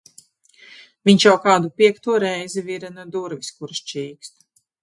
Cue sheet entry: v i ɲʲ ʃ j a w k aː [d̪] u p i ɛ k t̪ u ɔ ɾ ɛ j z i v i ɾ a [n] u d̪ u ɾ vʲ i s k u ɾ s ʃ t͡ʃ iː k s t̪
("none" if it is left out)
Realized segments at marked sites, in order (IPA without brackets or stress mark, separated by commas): d̪, n